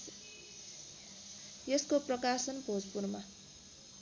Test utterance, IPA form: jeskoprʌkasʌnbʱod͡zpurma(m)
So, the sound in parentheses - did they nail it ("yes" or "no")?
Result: no